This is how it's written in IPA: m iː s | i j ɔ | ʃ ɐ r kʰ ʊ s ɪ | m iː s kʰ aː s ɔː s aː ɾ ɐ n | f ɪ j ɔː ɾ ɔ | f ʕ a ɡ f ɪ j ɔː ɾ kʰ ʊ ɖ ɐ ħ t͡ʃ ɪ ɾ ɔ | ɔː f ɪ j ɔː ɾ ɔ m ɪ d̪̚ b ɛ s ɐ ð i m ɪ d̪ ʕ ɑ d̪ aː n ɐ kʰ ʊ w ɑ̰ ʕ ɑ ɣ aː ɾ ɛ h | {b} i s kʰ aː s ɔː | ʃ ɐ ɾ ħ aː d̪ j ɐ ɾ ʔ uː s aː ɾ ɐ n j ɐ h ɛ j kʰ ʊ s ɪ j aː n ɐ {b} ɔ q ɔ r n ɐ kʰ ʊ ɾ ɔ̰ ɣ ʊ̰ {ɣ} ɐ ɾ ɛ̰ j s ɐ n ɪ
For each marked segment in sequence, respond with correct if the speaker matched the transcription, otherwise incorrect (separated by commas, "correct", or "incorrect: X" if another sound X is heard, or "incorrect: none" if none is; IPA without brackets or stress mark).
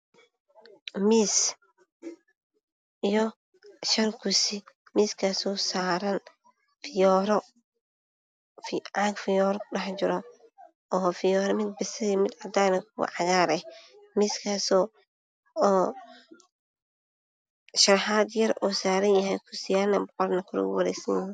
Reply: incorrect: m, correct, incorrect: w